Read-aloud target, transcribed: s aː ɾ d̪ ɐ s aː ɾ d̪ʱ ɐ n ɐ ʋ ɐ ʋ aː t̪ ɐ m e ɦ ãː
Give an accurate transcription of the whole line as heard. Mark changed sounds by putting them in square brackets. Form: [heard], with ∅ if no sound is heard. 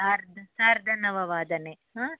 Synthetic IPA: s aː ɾ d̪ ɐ s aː ɾ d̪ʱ ɐ n ɐ ʋ ɐ ʋ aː [d̪] ɐ [n] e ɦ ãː